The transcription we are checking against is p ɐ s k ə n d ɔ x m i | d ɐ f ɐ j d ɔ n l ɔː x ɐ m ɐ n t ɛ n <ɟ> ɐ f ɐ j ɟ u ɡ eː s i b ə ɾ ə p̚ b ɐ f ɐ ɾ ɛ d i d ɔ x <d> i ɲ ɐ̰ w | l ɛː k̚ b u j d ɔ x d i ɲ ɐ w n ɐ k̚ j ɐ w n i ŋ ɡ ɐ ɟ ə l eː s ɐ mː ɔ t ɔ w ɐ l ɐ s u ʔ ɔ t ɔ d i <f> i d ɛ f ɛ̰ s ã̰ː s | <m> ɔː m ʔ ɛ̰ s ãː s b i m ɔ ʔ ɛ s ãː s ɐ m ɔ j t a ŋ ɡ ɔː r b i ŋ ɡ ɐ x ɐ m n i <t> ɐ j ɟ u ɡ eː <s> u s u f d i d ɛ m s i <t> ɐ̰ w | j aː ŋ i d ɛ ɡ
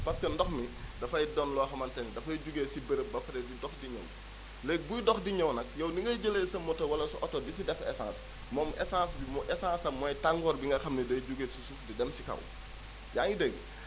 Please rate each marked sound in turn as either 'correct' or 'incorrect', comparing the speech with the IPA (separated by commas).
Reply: incorrect, correct, incorrect, correct, incorrect, correct, incorrect